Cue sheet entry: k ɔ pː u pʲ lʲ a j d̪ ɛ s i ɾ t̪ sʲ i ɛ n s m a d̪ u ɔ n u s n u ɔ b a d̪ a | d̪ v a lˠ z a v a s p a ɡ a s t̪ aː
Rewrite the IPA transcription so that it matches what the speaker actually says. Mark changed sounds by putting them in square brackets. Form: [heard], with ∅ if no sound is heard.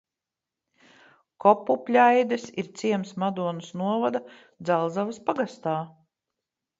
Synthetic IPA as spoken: k ɔ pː u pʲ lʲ a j d̪ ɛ s i ɾ t̪ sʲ i ɛ [m] s m a d̪ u ɔ n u s n u ɔ [v] a d̪ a | d̪ [z] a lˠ z a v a s p a ɡ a s t̪ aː